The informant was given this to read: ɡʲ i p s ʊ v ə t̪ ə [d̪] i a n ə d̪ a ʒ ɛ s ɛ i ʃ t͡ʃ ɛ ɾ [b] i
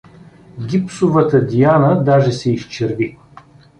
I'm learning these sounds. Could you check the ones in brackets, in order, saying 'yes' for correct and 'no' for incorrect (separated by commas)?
yes, no